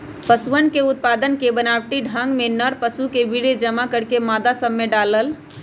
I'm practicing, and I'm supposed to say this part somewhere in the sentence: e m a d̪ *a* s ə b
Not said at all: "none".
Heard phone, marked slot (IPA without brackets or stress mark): a